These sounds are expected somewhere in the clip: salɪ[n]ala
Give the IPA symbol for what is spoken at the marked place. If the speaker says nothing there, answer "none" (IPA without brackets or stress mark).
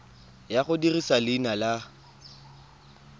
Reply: n